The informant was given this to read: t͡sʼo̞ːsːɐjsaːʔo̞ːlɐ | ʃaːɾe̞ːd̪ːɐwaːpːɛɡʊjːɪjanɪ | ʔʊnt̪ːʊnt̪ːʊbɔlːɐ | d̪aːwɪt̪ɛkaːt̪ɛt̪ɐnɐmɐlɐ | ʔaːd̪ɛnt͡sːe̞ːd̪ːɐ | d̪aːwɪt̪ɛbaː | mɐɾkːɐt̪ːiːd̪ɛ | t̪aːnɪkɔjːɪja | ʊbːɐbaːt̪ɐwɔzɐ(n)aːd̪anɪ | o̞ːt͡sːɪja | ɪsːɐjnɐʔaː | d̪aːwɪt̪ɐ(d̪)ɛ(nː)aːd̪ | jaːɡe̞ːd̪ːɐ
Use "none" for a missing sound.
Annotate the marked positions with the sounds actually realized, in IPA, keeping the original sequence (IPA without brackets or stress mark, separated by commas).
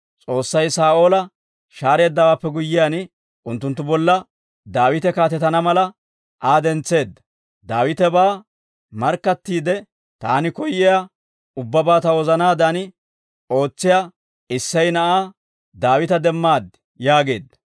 n, d̪, mː